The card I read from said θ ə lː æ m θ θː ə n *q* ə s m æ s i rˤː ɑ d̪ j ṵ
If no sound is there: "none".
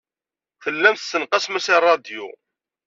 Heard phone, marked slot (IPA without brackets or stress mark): q